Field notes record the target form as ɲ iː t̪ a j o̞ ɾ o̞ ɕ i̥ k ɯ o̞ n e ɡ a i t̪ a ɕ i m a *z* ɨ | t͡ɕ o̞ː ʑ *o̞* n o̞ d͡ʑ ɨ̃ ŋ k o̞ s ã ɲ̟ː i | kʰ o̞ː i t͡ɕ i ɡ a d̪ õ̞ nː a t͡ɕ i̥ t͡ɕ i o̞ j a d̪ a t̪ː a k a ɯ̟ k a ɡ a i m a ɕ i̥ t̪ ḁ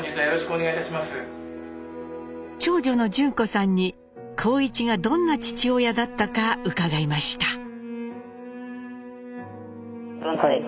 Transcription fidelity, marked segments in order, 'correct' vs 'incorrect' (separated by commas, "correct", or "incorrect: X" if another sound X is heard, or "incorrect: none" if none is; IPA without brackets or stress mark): incorrect: s, correct